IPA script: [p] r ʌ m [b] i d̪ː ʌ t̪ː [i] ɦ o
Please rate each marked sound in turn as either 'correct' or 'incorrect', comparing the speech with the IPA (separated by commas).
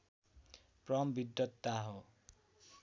correct, correct, incorrect